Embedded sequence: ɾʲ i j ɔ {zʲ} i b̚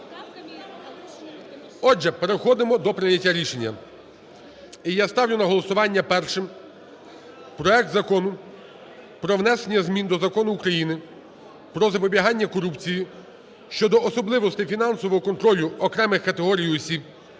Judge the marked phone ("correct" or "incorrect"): incorrect